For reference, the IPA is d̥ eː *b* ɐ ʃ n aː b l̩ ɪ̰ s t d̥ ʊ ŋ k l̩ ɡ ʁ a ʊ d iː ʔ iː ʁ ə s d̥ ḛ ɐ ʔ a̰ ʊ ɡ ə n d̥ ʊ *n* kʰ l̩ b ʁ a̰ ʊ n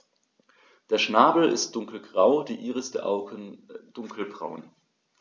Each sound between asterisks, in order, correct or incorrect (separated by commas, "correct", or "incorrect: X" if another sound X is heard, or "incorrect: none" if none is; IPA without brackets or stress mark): incorrect: none, incorrect: ŋ